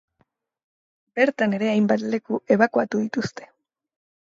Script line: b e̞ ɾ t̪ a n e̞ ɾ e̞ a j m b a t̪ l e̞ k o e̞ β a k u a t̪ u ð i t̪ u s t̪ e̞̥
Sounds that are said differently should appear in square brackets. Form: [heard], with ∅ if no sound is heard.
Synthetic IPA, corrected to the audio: b e̞ ɾ t̪ a n e̞ ɾ e̞ a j m b a t̪ l e̞ k [u] e̞ β a k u a t̪ u ð i t̪ u s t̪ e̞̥